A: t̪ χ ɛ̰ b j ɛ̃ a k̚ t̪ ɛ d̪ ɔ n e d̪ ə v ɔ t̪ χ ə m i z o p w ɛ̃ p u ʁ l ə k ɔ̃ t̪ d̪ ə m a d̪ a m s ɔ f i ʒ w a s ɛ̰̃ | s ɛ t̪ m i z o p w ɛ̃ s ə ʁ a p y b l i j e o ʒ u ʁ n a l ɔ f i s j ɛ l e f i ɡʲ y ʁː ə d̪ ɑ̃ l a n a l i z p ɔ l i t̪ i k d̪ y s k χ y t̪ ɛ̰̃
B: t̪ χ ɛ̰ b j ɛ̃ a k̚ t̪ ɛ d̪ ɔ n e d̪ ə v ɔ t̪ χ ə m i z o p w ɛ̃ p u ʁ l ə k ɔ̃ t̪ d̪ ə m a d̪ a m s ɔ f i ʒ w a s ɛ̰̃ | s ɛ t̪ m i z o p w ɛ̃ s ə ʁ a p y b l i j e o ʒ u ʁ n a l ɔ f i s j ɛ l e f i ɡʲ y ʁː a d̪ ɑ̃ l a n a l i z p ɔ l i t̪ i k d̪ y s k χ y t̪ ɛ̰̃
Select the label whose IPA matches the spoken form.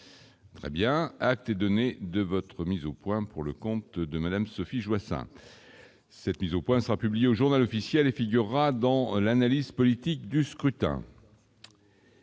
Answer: B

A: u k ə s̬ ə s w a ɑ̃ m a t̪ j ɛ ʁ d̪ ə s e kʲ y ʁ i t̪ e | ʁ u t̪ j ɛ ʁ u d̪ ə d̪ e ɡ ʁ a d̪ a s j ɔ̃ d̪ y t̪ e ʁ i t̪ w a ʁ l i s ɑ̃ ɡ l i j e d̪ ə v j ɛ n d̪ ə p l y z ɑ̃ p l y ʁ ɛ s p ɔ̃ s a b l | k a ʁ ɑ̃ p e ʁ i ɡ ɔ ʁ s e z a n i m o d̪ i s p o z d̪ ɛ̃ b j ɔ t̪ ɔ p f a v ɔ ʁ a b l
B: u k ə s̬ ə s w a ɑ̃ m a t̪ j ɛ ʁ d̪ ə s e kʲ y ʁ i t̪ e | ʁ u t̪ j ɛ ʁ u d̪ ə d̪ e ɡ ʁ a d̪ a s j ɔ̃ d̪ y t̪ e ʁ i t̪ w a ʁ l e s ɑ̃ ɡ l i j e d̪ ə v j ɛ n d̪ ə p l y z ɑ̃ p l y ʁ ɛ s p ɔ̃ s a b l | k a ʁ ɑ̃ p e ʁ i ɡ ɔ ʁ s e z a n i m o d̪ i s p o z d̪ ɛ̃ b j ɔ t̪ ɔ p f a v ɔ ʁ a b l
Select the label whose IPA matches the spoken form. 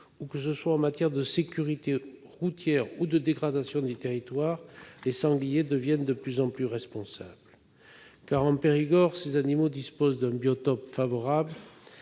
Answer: B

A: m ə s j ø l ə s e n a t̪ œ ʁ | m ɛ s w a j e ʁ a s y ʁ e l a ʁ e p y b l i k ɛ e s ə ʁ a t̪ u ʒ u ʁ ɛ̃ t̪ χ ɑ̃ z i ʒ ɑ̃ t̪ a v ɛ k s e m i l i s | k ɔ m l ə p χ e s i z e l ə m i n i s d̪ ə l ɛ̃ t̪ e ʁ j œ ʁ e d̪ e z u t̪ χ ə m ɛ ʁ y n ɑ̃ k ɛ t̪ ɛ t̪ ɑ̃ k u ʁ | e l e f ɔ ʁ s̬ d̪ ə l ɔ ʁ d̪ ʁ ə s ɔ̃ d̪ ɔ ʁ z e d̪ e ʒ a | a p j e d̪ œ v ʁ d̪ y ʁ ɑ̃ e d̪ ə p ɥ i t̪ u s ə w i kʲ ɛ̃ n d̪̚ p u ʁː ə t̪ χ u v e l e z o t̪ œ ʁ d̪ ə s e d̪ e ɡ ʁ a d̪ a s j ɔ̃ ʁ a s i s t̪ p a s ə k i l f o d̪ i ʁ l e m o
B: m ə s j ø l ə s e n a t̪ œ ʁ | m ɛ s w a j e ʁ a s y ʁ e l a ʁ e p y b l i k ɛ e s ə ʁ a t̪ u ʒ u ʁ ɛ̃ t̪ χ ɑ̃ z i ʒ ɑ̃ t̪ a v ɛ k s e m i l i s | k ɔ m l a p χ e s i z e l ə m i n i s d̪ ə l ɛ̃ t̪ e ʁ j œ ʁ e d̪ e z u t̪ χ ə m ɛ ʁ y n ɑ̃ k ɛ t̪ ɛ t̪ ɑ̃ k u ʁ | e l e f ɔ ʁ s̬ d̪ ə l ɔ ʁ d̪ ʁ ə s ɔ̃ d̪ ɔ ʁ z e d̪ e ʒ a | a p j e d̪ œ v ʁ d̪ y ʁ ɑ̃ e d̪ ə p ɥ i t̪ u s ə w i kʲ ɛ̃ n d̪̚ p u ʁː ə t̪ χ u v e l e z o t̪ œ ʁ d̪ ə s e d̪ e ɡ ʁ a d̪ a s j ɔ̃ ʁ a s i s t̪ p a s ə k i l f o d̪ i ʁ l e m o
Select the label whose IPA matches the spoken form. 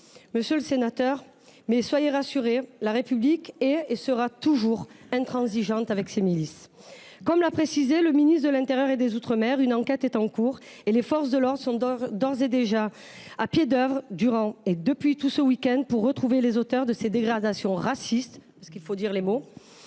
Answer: B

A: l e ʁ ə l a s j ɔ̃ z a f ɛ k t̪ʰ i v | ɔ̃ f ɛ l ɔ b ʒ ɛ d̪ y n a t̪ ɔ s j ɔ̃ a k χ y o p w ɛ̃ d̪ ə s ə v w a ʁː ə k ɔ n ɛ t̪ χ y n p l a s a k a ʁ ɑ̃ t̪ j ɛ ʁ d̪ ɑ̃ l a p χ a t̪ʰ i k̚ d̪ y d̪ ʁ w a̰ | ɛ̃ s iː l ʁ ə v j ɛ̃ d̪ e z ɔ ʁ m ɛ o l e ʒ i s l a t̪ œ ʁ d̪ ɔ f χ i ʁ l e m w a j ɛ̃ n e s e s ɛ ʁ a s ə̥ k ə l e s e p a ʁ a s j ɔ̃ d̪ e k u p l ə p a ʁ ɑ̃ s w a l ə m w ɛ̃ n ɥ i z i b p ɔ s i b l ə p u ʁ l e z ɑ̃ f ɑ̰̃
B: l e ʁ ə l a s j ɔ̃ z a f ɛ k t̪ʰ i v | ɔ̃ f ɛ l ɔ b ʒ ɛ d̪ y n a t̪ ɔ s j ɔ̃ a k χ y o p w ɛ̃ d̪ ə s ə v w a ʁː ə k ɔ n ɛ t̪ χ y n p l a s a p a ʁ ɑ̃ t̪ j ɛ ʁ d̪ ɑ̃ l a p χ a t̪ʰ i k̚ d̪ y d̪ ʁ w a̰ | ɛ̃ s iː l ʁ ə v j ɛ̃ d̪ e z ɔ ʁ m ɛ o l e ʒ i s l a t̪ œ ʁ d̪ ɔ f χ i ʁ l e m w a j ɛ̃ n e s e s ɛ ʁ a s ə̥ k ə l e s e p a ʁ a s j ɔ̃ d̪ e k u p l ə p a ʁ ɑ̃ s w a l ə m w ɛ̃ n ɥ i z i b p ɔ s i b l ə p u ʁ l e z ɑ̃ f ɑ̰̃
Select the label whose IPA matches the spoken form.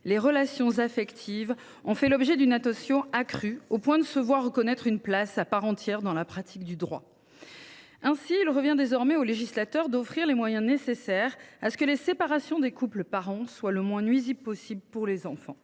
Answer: B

